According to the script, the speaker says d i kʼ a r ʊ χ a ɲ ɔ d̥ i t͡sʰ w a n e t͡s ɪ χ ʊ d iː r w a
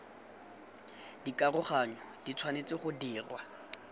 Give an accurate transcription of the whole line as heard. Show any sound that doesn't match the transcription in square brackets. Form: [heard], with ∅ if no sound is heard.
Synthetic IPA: d i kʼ a r ʊ χ a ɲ ɔ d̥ i t͡sʰ w a n e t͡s ɪ χ ʊ d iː r w a